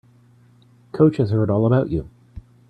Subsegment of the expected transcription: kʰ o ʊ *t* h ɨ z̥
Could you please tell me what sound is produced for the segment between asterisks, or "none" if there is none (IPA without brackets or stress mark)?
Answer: t͡ʃ